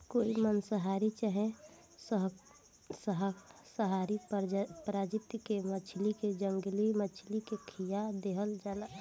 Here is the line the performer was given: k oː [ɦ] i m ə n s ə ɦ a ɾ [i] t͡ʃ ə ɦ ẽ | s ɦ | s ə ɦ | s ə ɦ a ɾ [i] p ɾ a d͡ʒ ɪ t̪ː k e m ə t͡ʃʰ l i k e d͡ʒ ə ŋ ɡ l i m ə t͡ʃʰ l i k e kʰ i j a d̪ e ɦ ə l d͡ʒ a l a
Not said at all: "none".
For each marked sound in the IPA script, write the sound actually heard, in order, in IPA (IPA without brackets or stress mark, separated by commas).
none, i, i